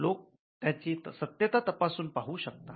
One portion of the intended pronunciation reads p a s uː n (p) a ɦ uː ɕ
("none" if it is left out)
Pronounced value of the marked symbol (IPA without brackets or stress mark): p